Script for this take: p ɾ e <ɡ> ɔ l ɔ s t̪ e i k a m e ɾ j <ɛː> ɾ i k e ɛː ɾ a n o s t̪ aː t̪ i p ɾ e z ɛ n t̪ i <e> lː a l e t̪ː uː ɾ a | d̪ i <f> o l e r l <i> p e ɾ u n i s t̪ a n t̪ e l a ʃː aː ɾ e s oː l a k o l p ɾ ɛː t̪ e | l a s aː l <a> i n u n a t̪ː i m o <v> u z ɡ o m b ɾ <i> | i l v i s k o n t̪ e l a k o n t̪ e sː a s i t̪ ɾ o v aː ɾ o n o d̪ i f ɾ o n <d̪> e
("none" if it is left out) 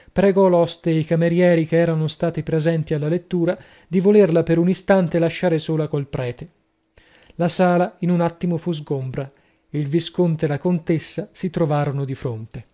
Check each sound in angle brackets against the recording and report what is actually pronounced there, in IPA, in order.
ɡ, ɛː, a, v, a, a, f, a, t̪

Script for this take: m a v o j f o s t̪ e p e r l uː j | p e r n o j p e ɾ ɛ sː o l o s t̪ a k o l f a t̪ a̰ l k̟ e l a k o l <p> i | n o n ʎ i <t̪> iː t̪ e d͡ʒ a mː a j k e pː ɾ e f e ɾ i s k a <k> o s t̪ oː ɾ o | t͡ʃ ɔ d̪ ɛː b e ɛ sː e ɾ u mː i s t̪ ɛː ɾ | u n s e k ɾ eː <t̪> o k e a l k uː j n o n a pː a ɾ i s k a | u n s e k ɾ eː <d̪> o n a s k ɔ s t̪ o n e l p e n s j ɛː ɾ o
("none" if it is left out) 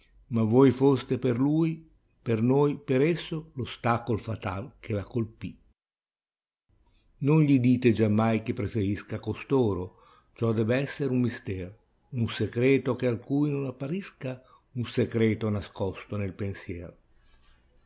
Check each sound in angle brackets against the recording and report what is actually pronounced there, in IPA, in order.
p, d̪, k, t̪, t̪

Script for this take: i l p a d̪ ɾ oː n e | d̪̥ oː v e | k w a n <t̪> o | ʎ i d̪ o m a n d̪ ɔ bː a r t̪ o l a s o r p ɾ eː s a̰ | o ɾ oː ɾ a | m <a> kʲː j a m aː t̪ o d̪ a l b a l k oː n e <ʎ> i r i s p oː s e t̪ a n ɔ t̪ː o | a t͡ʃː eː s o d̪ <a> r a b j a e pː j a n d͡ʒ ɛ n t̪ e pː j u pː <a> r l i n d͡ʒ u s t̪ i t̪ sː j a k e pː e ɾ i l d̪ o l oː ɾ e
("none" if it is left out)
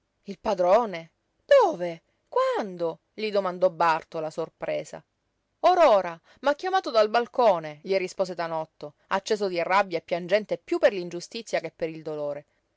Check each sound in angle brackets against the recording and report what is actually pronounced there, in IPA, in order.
d̪, a, ʎ, i, e

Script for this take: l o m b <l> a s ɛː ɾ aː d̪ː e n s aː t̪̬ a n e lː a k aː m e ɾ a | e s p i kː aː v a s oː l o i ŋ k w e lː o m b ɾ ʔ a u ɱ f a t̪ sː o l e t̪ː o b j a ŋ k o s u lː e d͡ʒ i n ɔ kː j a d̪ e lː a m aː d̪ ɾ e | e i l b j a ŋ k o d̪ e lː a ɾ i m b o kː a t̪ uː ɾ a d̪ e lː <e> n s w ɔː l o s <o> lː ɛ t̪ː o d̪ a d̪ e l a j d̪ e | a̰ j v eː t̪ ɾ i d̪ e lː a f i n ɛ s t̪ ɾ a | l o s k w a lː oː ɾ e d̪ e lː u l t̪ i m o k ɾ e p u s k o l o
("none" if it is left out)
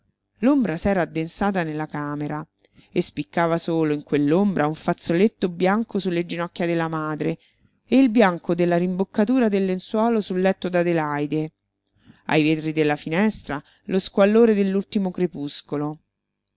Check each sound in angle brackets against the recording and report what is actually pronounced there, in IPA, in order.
ɾ, e, u

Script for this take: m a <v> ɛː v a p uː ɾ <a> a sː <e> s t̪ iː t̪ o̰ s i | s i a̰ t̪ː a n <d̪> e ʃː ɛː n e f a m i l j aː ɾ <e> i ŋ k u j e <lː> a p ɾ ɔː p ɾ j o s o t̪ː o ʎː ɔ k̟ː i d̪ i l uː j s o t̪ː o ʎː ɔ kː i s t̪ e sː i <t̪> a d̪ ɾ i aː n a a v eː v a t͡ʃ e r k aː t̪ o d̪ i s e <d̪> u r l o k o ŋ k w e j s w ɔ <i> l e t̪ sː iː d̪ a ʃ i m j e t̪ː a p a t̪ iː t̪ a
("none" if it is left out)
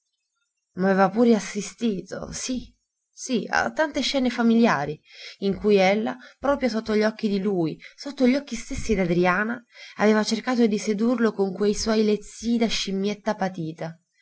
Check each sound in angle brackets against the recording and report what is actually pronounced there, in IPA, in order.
v, e, i, t̪, i, lː, d̪, d̪, j

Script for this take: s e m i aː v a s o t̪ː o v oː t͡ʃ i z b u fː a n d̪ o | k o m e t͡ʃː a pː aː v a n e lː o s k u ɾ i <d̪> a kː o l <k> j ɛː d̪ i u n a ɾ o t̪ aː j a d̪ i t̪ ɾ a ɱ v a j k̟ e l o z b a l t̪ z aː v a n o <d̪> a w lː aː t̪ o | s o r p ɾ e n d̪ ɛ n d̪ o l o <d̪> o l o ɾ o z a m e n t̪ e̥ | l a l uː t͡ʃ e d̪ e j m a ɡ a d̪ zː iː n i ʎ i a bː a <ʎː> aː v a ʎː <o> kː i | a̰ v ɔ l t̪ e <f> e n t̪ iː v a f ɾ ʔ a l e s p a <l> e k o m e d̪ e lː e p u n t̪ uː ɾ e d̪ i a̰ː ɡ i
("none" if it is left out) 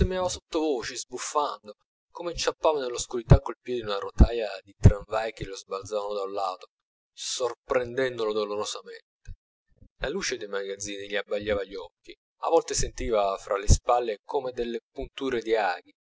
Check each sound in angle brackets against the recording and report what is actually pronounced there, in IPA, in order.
t̪, p, d̪, d̪, ʎː, ɔ, s, lː

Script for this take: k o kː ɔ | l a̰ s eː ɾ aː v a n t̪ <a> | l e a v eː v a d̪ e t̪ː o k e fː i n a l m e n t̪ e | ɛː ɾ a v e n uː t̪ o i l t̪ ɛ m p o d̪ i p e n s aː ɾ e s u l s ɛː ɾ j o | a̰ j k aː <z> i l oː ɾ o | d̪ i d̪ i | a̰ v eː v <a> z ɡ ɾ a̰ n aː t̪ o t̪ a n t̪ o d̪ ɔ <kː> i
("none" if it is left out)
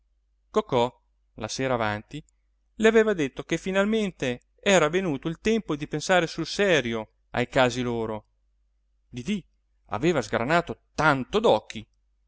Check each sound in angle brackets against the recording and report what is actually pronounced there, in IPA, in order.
i, z, a, kː

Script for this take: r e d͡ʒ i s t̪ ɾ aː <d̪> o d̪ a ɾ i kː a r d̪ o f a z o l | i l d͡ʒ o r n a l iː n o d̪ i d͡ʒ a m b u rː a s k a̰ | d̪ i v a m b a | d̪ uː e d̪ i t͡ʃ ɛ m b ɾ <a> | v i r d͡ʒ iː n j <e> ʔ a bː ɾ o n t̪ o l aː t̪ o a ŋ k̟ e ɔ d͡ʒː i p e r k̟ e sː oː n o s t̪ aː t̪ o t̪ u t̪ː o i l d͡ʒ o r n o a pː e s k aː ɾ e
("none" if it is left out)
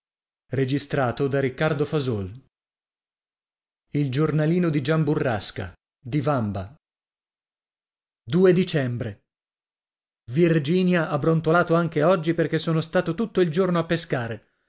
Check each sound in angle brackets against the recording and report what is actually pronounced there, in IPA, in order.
t̪, e, a

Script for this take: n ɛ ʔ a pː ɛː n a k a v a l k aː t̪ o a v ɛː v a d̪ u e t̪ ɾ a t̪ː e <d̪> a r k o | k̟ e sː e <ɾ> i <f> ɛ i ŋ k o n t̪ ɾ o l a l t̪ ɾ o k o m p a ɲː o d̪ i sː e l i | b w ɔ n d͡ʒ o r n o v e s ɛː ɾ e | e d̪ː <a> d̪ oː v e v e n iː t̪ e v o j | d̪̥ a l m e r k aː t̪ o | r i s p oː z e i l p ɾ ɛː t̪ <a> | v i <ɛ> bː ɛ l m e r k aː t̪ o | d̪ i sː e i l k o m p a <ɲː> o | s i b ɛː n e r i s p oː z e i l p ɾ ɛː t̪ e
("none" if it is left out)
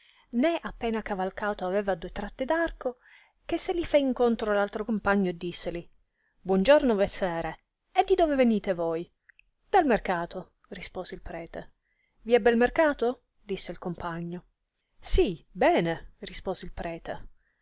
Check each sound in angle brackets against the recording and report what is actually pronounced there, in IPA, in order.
d̪, l, f, i, e, ɛ, ɲː

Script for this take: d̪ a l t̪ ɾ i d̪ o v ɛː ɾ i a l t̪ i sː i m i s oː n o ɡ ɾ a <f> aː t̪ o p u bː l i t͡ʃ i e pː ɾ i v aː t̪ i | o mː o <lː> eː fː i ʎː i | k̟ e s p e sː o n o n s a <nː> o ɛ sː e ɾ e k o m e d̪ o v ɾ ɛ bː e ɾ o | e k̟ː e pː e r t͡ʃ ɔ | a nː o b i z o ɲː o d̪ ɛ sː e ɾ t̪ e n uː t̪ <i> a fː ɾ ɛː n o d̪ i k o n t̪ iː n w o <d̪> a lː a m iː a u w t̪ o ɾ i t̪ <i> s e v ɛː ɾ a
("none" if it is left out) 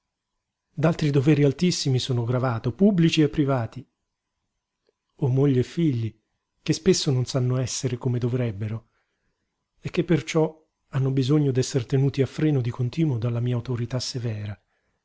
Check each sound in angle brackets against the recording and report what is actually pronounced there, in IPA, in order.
v, ʎː, nː, i, d̪, a

